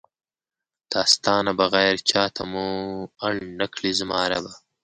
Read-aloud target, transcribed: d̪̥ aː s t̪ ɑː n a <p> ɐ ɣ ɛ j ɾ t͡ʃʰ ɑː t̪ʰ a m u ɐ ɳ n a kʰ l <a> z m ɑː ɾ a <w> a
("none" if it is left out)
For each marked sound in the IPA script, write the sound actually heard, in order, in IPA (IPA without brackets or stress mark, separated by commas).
b, i, b